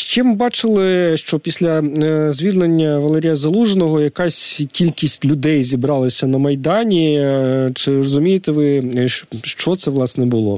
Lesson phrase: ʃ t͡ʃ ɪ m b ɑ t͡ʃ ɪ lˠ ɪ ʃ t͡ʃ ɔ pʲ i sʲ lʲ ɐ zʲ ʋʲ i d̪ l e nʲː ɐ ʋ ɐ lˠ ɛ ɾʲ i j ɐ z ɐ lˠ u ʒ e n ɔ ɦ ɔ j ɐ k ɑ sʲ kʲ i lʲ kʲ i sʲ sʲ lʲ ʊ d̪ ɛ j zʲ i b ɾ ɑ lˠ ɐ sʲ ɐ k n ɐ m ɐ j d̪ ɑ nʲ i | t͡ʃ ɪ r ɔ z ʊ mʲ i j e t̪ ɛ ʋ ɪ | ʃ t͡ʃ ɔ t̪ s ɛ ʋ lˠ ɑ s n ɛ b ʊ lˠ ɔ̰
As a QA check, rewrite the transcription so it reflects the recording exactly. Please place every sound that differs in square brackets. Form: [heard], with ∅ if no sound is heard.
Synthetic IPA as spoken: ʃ t͡ʃ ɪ m b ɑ t͡ʃ ɪ lˠ ɪ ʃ t͡ʃ ɔ pʲ i sʲ lʲ ɐ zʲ ʋʲ i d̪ l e nʲː ɐ ʋ ɐ lˠ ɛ ɾʲ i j ɐ z ɐ lˠ u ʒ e n ɔ ɦ ɔ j ɐ k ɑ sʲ kʲ i lʲ kʲ i sʲ [tʲ] lʲ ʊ d̪ ɛ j zʲ i b ɾ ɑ lˠ ɐ sʲ ɐ [∅] n ɐ m ɐ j d̪ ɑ nʲ i | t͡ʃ ɪ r ɔ z ʊ mʲ i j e t̪ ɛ ʋ ɪ | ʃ t͡ʃ ɔ t̪ s ɛ ʋ lˠ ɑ s n ɛ b ʊ lˠ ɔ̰